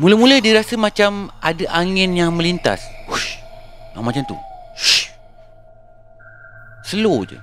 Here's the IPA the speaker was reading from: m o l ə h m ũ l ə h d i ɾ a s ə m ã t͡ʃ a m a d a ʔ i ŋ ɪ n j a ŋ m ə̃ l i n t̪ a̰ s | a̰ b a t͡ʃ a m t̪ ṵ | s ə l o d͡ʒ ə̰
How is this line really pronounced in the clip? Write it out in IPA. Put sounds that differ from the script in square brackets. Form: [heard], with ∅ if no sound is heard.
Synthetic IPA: m [u] l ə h m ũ l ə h d i ɾ a s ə m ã t͡ʃ a m a d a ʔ [a] ŋ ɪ n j a ŋ m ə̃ l i n t̪ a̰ s | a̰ [m] a t͡ʃ a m t̪ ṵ | s ə l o d͡ʒ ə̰